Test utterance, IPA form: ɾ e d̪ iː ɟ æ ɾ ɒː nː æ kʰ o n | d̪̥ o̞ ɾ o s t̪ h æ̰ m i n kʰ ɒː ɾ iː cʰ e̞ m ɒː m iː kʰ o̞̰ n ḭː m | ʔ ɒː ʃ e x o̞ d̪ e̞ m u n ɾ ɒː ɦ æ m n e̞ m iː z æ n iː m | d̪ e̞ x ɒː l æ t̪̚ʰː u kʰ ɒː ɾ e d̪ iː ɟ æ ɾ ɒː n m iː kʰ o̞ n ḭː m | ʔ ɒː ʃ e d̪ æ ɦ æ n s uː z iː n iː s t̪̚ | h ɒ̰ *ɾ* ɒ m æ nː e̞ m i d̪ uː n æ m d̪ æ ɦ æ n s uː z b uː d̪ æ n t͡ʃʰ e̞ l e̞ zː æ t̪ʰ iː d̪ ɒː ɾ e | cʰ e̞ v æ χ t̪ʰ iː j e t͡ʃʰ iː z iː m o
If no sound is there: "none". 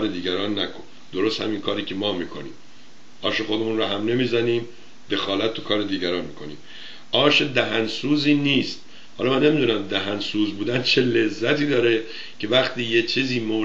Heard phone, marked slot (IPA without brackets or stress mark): l